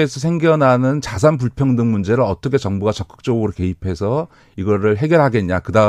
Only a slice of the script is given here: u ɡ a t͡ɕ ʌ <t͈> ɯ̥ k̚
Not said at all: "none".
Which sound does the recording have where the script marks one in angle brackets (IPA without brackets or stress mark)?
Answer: k͈